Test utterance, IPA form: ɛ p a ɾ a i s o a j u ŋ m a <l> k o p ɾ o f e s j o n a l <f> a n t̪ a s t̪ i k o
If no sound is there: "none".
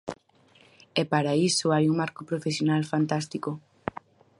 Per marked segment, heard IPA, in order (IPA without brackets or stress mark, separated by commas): ɾ, f